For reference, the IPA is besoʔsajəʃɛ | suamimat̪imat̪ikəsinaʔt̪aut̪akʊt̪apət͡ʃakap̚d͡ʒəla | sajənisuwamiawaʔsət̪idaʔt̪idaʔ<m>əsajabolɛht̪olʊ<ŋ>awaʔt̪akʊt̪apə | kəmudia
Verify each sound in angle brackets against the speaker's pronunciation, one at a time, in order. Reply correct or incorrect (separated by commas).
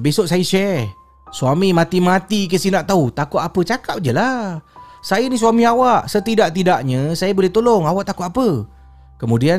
incorrect, correct